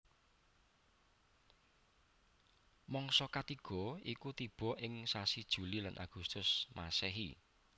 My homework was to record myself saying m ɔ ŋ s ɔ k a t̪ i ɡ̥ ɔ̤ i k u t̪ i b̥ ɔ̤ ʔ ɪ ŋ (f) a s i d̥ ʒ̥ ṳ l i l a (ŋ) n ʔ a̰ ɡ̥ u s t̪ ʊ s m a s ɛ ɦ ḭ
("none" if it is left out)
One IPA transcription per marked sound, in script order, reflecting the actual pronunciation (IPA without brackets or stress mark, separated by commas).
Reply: s, none